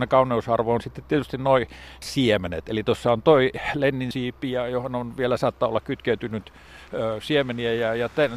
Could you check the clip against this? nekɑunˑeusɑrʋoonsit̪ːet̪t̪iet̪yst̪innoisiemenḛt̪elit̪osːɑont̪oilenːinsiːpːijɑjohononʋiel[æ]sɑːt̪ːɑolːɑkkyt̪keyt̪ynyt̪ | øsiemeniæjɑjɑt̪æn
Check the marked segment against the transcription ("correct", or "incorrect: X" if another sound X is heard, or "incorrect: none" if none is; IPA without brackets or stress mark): correct